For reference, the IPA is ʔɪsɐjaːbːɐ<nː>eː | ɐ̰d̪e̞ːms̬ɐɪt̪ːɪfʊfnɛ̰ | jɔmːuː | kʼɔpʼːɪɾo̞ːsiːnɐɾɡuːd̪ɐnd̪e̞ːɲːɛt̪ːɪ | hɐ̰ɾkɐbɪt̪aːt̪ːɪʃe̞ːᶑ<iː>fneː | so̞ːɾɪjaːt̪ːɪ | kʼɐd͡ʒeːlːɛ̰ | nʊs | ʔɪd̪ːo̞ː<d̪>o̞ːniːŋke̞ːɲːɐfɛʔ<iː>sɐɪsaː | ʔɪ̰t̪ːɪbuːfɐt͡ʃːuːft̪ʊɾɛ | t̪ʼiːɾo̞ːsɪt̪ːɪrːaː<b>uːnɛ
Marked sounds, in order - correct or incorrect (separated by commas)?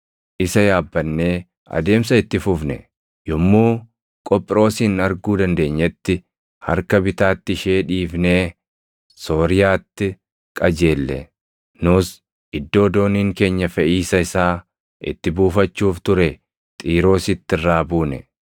correct, correct, correct, correct, correct